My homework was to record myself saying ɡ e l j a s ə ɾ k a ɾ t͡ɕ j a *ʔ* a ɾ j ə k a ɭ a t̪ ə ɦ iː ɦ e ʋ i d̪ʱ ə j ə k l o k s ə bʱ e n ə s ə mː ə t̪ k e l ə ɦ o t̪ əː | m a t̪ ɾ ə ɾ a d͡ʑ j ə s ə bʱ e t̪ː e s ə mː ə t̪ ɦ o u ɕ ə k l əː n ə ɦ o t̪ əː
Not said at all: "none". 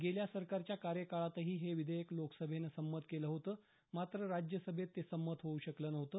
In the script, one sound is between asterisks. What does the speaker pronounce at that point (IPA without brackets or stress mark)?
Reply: k